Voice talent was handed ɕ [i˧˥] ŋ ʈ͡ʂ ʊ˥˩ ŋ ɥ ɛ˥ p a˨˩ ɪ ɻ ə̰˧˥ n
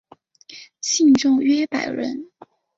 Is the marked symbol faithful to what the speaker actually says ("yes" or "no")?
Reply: no